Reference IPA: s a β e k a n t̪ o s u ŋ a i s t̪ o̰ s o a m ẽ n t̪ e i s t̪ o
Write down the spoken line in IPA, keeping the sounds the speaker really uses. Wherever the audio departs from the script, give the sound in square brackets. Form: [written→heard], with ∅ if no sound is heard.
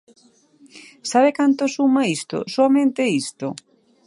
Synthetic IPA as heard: s a β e k a n t̪ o s u [ŋ→m] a i s t̪ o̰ s o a m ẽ n t̪ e i s t̪ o